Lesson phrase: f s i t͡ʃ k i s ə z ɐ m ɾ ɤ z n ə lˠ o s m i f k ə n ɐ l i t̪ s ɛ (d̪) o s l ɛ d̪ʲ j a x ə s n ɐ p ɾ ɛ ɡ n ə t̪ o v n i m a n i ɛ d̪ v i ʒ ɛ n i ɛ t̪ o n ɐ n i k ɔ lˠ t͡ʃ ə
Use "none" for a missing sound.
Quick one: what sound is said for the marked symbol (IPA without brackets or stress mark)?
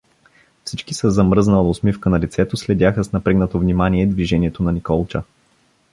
t̪